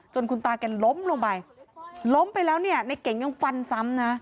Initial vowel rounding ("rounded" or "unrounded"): rounded